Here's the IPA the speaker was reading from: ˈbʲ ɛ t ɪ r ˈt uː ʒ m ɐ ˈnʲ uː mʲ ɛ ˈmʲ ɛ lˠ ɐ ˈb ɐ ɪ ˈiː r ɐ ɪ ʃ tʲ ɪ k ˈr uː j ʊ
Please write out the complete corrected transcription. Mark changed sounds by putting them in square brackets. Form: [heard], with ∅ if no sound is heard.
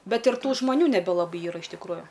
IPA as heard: ˈbʲ ɛ t ɪ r ˈt uː ʒ m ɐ ˈnʲ uː [nʲ] ɛ [ˈbʲ] ɛ lˠ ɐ ˈb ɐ ɪ ˈiː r ɐ ɪ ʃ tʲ ɪ k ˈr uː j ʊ